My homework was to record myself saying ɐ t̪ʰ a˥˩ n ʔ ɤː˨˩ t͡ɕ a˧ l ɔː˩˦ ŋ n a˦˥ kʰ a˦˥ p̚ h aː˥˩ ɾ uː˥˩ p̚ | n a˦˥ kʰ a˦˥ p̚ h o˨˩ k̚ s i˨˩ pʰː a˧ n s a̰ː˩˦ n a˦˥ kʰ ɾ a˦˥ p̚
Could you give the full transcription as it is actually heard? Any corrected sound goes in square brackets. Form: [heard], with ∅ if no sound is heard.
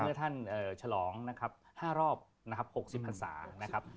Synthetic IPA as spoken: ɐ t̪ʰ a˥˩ n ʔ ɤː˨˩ [t͡ɕʰ] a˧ l ɔː˩˦ ŋ n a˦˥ kʰ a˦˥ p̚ h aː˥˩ ɾ [ɔː˥˩] p̚ | n a˦˥ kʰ a˦˥ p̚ h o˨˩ k̚ s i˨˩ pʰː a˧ n s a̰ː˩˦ n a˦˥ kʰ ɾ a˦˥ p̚